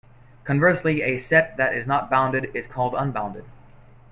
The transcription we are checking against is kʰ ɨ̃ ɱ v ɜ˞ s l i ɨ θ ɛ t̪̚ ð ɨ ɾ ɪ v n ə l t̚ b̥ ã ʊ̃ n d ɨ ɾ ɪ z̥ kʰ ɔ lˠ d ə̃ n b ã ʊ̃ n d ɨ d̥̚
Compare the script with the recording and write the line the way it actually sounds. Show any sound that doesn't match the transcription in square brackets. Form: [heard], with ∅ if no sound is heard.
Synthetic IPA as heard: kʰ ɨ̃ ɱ v ɜ˞ s l i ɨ [s] ɛ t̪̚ ð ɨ ɾ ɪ [z] n ə [∅] t̚ b̥ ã ʊ̃ n d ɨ ɾ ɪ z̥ kʰ ɔ lˠ d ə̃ n b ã ʊ̃ n d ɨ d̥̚